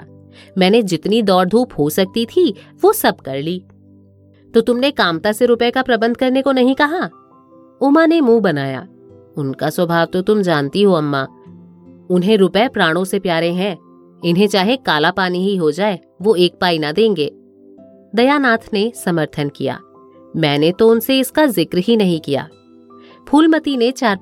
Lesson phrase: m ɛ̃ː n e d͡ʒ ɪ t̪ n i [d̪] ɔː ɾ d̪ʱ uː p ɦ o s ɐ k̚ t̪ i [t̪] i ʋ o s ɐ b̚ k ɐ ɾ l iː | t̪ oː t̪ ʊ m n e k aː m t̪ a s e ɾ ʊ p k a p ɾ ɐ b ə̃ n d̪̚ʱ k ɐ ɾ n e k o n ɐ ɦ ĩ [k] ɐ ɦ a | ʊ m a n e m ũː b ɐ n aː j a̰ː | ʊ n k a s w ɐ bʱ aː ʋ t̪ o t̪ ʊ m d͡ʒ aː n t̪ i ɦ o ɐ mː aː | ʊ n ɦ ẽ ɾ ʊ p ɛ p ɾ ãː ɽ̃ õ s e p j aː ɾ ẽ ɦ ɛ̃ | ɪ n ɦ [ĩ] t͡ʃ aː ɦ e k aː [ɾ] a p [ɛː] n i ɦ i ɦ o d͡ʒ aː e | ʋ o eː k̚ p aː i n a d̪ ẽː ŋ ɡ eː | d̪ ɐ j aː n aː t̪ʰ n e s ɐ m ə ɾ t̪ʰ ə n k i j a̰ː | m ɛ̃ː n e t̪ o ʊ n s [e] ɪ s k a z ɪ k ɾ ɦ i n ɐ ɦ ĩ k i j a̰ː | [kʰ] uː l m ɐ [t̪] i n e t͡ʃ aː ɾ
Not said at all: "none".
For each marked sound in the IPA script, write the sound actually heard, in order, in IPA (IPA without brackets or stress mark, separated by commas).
d̪, t̪ʰ, k, ẽ, l, aː, e, pʰ, t̪